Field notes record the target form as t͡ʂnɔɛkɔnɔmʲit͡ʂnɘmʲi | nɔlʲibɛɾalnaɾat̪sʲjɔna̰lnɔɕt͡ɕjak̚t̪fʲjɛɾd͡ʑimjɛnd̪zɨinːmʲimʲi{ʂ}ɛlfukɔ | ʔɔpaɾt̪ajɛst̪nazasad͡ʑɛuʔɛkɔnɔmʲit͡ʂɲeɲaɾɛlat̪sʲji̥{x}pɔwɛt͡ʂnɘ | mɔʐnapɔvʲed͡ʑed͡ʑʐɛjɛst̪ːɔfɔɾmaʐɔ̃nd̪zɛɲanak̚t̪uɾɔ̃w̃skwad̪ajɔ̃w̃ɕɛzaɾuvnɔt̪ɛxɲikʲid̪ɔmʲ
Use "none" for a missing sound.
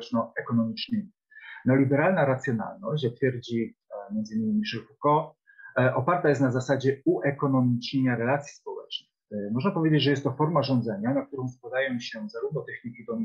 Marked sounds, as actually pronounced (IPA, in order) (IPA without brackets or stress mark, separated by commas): ʂ, s